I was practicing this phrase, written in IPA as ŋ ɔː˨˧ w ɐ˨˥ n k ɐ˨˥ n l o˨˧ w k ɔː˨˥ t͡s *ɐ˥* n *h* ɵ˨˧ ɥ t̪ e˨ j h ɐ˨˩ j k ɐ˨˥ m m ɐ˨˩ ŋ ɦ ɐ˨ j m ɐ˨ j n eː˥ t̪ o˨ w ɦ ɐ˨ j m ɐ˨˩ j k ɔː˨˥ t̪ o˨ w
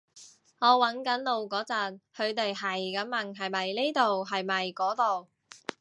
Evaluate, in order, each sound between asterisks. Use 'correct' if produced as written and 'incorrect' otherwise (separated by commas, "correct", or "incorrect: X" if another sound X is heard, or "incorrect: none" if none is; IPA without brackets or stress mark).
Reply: incorrect: ɐ˨, correct